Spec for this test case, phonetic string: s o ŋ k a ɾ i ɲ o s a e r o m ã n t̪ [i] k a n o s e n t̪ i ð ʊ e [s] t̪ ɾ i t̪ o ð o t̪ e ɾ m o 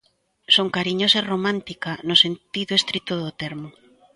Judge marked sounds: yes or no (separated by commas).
yes, yes